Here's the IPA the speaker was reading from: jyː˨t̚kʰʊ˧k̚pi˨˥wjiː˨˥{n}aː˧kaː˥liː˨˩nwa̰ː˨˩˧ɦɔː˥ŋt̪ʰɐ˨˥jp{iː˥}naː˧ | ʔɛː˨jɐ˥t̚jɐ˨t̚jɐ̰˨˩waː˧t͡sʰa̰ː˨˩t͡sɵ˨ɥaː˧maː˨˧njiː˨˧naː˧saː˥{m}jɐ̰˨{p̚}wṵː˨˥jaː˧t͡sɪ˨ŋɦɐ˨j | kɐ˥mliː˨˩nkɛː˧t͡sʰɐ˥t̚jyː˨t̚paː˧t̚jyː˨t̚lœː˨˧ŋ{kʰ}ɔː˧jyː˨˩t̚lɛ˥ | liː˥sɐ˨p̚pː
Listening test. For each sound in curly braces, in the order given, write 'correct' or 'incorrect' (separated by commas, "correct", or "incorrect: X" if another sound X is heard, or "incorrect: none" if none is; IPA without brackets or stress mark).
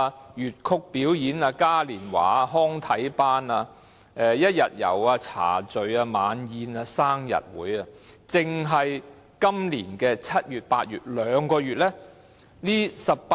correct, incorrect: aː˥, incorrect: ŋ, incorrect: t̚, incorrect: k